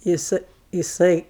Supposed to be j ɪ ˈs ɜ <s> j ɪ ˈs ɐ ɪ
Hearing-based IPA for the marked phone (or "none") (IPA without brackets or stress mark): none